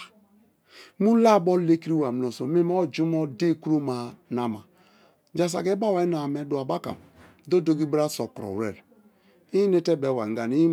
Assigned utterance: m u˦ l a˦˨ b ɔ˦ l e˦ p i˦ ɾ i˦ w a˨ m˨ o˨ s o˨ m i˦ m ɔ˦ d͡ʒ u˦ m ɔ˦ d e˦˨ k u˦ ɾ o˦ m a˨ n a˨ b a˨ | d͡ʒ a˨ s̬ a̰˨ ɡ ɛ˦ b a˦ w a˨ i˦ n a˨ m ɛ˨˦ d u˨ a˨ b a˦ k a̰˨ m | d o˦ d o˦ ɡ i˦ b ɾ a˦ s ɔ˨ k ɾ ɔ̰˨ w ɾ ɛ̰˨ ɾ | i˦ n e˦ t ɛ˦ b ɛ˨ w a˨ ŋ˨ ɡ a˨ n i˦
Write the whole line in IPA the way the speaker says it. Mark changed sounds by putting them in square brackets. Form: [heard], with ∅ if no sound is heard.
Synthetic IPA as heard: m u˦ l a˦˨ b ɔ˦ l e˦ [k] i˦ ɾ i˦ w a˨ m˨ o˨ s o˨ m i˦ m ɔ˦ d͡ʒ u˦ m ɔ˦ d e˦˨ k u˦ ɾ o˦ m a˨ n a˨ [m] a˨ | d͡ʒ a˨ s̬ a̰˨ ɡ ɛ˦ b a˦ w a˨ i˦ n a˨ m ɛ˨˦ d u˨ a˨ b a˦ k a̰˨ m | d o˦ d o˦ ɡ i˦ b ɾ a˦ s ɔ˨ k ɾ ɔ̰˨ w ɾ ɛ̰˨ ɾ | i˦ n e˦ t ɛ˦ b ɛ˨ w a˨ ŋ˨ ɡ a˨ n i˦